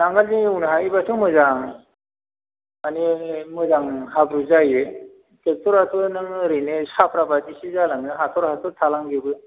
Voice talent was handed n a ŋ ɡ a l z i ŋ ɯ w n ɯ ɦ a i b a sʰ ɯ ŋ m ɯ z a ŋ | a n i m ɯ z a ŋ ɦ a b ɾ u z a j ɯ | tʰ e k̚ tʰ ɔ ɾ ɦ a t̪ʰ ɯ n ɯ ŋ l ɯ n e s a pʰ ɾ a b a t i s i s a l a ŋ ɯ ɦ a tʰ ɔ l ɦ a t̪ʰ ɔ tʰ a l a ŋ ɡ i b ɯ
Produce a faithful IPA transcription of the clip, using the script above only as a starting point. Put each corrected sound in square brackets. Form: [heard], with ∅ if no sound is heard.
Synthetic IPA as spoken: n a ŋ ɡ a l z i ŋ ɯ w n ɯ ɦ a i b a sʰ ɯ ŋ m ɯ z a ŋ | a n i m ɯ z a ŋ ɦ a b ɾ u z a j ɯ | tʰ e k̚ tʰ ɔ ɾ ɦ a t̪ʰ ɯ n ɯ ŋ [ɾ] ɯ n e s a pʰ ɾ a b a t i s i [z] a l a ŋ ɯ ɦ a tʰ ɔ [ɾ] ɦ a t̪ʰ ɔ tʰ a l a ŋ ɡ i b ɯ